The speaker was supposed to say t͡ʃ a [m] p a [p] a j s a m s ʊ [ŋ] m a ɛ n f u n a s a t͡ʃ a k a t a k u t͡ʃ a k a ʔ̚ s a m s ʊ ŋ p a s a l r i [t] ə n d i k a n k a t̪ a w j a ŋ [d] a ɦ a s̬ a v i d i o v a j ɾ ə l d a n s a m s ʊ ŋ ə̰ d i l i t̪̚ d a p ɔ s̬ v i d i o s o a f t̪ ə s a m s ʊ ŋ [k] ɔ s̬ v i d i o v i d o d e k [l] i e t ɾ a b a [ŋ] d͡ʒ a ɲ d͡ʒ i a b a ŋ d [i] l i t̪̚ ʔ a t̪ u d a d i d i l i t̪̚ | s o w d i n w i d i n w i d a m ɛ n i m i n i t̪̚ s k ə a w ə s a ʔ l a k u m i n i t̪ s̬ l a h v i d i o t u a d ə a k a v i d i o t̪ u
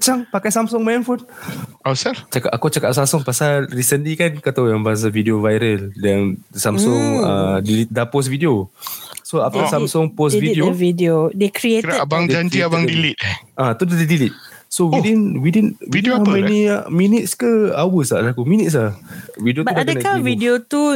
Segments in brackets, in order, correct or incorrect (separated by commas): incorrect, incorrect, correct, incorrect, incorrect, incorrect, incorrect, correct, correct